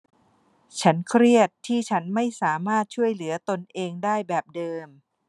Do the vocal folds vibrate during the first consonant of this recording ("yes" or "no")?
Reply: no